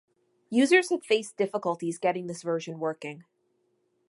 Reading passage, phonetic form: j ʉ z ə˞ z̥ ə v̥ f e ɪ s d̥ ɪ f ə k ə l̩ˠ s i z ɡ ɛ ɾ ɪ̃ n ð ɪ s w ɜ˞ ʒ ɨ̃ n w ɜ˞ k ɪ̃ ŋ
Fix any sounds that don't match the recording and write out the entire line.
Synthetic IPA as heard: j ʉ z ə˞ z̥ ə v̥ f e ɪ s d̥ ɪ f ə k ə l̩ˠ t i z ɡ ɛ ɾ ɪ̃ ŋ ð ɪ s v ɜ˞ ʒ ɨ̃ n w ɜ˞ k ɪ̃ ŋ

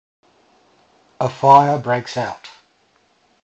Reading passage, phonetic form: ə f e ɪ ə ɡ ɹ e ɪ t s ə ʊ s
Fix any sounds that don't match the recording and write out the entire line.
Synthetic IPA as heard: ə f a ɪ ə b ɹ e ɪ k s a ʊ t

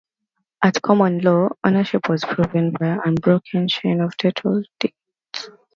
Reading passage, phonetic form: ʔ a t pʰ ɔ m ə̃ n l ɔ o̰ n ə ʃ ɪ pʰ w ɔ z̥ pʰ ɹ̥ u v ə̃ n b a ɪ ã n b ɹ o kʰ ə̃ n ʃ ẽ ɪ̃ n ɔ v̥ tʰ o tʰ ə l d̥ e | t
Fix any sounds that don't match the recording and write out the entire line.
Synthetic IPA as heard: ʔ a t kʰ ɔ m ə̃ n l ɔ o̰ n ə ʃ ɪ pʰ w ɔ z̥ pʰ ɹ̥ u v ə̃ n b a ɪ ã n b ɹ o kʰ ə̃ n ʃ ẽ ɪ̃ n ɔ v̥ tʰ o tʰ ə l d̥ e | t

